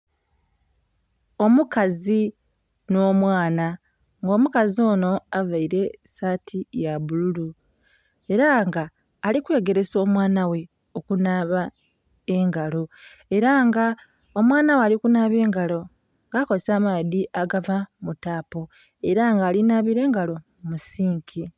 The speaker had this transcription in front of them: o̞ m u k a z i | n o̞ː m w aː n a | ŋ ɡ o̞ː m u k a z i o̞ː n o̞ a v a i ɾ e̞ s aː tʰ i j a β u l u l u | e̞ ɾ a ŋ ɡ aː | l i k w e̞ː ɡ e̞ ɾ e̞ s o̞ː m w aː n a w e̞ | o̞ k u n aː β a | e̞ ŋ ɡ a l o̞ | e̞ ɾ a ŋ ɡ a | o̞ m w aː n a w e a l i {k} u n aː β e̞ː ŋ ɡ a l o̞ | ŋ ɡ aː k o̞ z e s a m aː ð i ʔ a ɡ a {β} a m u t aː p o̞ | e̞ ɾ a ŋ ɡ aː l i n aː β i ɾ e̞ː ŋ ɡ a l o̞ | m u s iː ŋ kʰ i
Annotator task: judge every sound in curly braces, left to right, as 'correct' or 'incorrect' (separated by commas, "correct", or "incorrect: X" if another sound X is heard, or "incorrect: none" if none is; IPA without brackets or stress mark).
correct, incorrect: v